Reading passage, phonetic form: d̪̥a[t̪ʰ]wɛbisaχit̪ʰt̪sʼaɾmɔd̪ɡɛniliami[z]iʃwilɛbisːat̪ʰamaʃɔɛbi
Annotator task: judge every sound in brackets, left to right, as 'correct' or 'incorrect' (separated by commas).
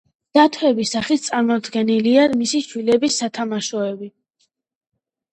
correct, incorrect